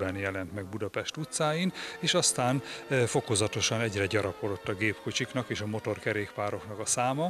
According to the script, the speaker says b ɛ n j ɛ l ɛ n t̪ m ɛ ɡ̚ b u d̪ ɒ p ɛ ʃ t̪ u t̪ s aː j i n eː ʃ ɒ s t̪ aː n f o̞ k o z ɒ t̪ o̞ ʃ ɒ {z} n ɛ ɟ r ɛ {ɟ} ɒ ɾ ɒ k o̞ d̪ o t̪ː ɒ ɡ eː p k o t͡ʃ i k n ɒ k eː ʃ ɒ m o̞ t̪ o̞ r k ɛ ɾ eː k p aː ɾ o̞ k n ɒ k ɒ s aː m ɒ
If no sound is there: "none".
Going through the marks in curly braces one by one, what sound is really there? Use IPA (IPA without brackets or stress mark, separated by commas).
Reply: none, ɟ